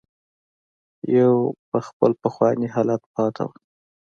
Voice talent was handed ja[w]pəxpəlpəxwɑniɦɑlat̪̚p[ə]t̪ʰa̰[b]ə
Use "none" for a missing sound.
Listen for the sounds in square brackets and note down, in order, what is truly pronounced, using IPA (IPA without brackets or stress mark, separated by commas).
w, ɑ, w